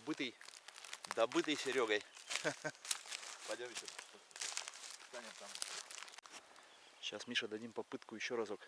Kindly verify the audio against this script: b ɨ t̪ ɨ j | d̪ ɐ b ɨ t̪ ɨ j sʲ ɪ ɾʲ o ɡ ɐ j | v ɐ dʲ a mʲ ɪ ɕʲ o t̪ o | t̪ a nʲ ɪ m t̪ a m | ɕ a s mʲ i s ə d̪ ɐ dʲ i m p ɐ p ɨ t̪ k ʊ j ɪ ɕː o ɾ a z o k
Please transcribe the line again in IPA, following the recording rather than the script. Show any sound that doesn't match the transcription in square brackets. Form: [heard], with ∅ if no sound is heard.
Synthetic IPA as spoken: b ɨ t̪ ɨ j | d̪ ɐ b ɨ t̪ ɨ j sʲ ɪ ɾʲ o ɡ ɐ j | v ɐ dʲ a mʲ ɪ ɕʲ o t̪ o | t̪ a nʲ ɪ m t̪ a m | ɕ a s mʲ i [ʂ] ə d̪ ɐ dʲ i m p ɐ p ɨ t̪ k ʊ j ɪ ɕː o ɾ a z o k